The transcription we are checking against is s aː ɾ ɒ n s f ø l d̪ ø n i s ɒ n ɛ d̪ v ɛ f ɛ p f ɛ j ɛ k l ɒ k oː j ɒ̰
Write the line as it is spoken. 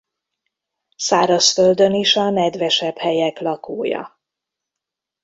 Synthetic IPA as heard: s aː ɾ ɒ s f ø l d̪ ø n i ʃ ɒ n ɛ d̪ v ɛ ʃ ɛ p h ɛ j ɛ k l ɒ k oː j ɒ̰